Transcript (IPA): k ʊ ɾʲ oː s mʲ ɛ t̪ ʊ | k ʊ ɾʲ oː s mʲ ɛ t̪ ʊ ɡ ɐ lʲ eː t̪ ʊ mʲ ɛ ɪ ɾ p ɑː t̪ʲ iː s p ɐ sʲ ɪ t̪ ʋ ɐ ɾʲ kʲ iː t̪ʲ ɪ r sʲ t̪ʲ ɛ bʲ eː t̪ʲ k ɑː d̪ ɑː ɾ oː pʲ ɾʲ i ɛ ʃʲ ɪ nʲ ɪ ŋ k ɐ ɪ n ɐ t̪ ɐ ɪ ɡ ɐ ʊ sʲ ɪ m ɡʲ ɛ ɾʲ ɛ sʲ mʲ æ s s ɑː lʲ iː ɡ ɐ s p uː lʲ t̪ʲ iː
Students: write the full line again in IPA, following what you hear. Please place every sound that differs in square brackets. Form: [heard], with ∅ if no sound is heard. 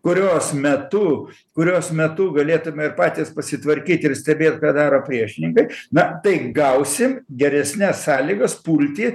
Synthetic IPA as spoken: k ʊ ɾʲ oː s mʲ ɛ t̪ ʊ | k ʊ ɾʲ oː s mʲ ɛ t̪ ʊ ɡ ɐ lʲ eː t̪ ʊ mʲ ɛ ɪ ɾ p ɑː t̪ʲ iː s p ɐ sʲ ɪ t̪ ʋ ɐ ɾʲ kʲ iː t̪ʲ ɪ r sʲ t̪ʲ ɛ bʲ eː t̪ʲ k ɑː d̪ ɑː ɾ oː pʲ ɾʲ i ɛ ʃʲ ɪ nʲ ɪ ŋ k ɐ ɪ n ɐ t̪ ɐ ɪ ɡ ɐ ʊ sʲ ɪ m ɡʲ ɛ ɾʲ ɛ sʲ [nʲ] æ s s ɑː lʲ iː ɡ ɐ s p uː lʲ t̪ʲ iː